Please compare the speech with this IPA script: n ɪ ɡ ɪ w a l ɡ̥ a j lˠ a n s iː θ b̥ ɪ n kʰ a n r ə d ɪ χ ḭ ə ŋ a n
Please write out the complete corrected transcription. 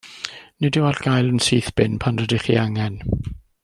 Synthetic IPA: n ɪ d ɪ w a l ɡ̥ a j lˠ ə n s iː θ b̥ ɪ n pʰ a n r ə d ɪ χ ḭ a ŋ ɛ n